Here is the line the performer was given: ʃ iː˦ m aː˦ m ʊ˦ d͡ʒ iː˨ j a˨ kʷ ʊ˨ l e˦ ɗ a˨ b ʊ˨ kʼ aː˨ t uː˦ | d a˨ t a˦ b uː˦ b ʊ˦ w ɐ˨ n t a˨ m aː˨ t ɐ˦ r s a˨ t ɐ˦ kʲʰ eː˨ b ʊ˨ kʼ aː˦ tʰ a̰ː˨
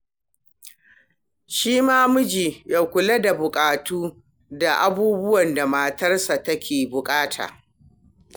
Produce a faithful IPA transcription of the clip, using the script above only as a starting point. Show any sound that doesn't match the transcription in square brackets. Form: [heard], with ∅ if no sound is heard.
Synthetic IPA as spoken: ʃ iː˦ m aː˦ m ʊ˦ d͡ʒ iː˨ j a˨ kʷ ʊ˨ l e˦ [d] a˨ b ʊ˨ kʼ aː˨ t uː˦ | d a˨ [ʔ] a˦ b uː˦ b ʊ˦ w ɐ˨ n [d] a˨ m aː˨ t ɐ˦ r s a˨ t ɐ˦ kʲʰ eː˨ b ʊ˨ kʼ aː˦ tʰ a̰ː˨